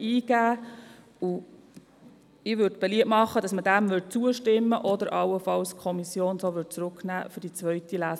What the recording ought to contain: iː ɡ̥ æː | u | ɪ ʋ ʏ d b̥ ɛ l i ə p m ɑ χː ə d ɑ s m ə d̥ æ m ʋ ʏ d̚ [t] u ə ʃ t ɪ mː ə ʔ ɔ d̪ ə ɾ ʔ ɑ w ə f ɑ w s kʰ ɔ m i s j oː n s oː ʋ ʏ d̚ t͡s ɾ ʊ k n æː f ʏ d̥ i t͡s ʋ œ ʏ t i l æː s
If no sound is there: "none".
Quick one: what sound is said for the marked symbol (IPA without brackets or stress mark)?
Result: t͡s